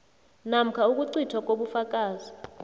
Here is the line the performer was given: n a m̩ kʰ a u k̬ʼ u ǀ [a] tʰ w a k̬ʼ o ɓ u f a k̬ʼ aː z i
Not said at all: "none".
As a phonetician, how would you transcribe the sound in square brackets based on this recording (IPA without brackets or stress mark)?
i